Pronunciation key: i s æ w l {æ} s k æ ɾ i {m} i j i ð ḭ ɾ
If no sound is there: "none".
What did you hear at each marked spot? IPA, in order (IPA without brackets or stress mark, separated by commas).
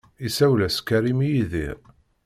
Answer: æ, m